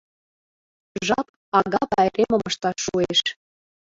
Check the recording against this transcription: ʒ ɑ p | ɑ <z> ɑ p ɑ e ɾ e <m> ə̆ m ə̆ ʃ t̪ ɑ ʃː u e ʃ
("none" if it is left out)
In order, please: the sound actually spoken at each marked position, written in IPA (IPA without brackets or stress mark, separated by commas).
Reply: ɣ, m